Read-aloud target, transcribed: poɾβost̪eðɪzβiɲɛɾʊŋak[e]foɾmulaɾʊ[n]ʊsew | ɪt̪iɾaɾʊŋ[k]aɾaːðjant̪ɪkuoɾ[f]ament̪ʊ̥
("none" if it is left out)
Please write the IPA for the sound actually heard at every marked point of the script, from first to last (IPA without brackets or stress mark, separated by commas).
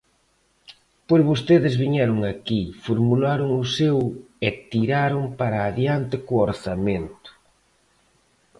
i, ŋ, p, θ